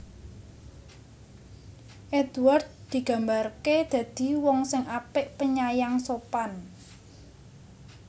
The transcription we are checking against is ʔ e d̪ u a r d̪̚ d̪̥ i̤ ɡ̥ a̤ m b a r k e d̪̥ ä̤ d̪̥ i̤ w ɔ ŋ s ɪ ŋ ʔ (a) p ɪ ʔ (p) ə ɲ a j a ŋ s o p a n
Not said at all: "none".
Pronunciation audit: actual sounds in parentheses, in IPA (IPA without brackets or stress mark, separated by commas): a, p